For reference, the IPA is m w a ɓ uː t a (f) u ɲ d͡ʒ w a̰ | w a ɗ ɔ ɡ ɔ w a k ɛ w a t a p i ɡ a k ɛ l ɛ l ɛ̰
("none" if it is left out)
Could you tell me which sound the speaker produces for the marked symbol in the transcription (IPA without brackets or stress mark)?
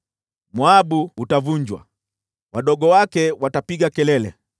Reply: v